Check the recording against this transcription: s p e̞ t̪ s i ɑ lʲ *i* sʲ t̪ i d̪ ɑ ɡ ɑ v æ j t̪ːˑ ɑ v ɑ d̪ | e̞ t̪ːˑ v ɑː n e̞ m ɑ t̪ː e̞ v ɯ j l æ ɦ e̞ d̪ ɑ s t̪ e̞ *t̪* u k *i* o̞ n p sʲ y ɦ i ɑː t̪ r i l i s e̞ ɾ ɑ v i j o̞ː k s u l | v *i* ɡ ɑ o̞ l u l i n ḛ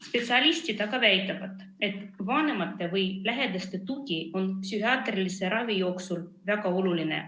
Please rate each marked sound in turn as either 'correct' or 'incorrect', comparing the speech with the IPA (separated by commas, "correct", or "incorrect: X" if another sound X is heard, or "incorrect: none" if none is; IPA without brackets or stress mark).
correct, correct, correct, incorrect: æ